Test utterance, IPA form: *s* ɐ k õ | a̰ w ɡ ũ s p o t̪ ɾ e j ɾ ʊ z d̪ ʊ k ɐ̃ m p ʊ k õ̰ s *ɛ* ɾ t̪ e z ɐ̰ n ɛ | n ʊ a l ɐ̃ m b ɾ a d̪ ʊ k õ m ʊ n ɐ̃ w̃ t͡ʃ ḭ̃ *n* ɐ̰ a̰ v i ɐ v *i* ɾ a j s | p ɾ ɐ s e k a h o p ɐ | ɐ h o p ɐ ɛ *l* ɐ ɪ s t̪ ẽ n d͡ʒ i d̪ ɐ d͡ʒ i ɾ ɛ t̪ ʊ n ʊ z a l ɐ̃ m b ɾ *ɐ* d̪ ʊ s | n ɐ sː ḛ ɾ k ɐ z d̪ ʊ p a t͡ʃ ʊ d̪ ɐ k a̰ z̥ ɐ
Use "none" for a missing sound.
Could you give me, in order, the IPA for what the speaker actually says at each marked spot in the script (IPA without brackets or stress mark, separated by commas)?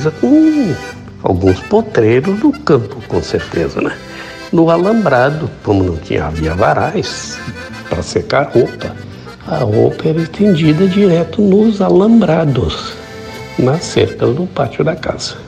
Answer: z, e, ɲ, a, ɾ, a